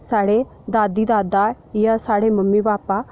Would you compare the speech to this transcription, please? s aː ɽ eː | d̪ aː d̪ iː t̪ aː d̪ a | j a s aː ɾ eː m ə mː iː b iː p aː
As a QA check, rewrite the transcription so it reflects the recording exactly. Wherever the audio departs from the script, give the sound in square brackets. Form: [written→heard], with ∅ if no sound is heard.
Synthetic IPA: s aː ɽ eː | d̪ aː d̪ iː [t̪→d̪] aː d̪ a | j a s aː [ɾ→ɽ] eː m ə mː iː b [iː→aː] p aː